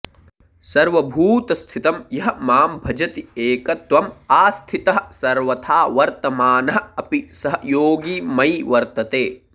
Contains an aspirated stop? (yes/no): yes